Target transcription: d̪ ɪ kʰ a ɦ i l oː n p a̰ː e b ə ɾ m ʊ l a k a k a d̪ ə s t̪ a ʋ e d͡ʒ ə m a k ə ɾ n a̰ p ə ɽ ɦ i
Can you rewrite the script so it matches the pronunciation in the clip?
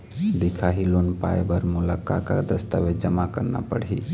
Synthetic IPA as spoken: d̪ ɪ kʰ a ɦ i l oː n p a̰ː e b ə ɾ m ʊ l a k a k a d̪ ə s t̪ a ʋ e d͡ʒ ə m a k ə ɾ n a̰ p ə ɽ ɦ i